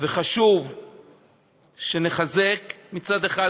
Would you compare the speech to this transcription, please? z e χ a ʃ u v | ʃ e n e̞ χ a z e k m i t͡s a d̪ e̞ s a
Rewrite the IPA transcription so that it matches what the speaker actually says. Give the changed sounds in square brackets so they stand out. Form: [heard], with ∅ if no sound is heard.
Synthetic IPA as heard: [v] e χ a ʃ u v | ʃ e n e̞ χ a z e k m i t͡s a d̪ e̞ [χ] a